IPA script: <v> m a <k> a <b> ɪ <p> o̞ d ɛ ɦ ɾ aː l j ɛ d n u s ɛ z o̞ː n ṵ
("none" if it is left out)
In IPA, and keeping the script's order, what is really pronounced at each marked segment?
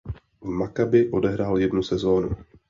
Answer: v, k, b, ʔ

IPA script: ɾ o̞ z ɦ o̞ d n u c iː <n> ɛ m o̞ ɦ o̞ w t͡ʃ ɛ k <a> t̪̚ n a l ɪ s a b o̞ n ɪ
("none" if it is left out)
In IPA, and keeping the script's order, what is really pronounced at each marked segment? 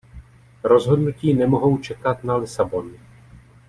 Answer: n, a

